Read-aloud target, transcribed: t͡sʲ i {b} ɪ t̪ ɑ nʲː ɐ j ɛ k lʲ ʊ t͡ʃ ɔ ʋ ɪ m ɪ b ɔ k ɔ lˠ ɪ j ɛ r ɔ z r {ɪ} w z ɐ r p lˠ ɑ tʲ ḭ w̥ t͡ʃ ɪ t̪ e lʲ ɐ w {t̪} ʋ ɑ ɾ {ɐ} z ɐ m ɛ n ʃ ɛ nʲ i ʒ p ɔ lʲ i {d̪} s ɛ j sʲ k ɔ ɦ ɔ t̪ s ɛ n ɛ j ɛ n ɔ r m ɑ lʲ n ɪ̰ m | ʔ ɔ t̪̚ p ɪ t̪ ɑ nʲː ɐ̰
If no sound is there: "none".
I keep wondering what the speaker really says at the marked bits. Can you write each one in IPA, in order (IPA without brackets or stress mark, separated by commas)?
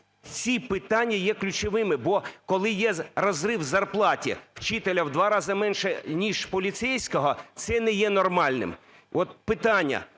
p, ɪ, d̪, ɑ, t̪